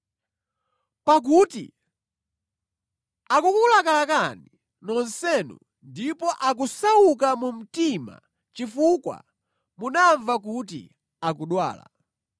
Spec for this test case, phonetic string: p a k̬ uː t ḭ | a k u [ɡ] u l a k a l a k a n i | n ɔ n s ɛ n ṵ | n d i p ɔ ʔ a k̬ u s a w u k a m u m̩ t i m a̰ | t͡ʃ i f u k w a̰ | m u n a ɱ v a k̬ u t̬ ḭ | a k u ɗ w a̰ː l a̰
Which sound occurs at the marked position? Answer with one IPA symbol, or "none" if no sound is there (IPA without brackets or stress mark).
k